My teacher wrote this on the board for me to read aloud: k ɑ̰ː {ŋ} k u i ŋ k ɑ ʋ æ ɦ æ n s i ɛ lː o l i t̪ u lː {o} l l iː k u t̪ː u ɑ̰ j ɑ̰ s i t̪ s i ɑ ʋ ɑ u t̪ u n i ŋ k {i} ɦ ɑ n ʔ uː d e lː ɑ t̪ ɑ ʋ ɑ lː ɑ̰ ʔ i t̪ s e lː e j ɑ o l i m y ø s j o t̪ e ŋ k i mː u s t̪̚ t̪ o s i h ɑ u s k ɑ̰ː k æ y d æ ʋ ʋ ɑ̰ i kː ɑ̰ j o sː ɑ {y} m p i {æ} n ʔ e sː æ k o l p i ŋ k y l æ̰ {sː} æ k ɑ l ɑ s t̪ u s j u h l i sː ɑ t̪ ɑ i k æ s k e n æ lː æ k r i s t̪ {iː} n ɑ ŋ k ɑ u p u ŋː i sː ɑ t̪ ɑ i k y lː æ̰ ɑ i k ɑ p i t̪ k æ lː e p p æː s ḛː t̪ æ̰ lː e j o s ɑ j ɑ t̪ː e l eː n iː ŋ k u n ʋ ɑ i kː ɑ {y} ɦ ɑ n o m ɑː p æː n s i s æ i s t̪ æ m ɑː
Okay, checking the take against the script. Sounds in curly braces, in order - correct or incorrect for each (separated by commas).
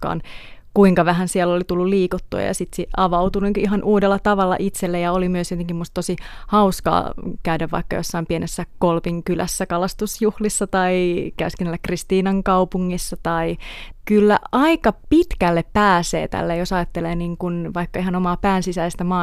incorrect, incorrect, correct, incorrect, incorrect, correct, correct, incorrect